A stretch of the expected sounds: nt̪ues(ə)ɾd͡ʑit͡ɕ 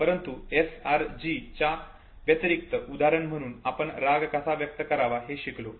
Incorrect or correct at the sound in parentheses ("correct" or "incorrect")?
incorrect